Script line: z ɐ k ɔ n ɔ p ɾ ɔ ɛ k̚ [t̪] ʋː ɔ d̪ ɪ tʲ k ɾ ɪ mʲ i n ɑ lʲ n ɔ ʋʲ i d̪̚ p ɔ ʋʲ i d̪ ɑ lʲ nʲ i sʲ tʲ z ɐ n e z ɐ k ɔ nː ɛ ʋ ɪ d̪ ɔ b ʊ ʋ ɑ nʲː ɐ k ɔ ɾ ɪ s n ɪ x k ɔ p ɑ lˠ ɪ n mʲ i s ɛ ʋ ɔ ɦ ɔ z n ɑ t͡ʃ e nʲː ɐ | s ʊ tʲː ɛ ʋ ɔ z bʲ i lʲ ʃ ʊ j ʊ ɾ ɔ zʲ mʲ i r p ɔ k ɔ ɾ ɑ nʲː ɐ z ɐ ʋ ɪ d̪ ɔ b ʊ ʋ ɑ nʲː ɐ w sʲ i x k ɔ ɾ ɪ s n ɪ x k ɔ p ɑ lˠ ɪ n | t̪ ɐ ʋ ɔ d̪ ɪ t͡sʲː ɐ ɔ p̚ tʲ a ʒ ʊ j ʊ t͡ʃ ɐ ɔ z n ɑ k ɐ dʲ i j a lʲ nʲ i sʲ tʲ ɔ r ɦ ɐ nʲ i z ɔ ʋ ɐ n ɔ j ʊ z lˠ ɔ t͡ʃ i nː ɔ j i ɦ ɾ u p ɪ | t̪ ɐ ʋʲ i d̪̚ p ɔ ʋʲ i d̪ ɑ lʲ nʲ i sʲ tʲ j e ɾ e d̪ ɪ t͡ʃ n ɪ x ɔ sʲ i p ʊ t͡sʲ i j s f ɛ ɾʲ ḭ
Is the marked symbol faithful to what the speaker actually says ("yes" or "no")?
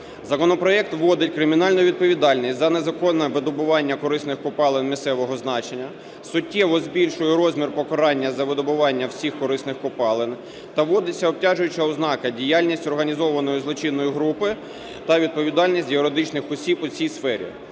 yes